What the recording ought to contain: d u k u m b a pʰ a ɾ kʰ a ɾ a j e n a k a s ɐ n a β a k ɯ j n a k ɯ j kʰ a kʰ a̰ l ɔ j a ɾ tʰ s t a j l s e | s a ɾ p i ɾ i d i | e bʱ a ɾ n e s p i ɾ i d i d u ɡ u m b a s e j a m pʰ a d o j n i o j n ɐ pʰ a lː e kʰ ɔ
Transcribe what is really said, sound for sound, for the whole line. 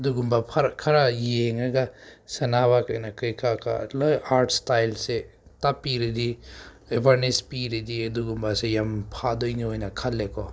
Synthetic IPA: d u ɡ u m b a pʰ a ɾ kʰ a ɾ a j e ŋ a ɡ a s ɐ n a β a k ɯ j n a k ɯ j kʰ a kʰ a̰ l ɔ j a ɾ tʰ s t a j l s e | t a p i ɾ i d i | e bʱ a ɾ n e s p i ɾ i d i d u ɡ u m b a s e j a m pʰ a d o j n i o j n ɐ kʰ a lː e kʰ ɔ